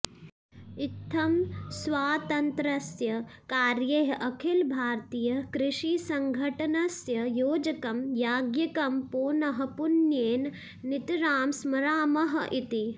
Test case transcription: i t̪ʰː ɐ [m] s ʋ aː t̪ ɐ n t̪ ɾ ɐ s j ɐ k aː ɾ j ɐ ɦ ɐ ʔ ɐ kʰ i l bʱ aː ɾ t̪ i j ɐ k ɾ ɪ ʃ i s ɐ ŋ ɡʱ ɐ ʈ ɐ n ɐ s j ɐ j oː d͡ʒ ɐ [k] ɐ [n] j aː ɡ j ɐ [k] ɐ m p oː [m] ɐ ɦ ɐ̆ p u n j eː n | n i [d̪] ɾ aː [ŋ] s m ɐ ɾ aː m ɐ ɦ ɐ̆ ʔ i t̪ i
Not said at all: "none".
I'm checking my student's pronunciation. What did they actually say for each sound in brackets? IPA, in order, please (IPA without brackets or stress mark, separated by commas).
m, k, m, k, n, t̪, m